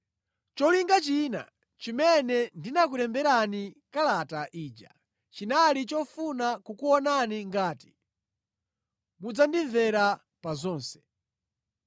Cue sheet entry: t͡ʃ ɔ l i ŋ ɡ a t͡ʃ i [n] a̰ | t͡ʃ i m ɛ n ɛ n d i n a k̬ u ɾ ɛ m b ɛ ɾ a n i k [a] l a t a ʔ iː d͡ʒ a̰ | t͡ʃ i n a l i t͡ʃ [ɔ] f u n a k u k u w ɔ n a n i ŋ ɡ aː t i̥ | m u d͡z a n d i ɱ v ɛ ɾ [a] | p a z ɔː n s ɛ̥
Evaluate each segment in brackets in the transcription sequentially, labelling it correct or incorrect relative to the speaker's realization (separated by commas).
correct, correct, correct, correct